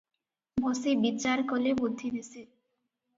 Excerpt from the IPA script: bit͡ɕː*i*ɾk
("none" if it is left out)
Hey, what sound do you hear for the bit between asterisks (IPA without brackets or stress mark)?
a